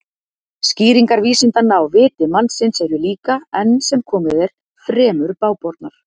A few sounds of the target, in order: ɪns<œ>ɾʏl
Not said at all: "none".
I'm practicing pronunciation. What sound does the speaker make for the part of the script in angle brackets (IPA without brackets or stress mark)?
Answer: ɛ